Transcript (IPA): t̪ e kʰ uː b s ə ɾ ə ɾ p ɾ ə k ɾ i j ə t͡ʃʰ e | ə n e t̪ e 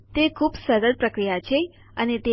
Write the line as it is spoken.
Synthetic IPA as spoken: t̪ e kʰ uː b s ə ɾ ə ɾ p ɾ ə k ɾ i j a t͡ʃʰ e | ə n e t̪ e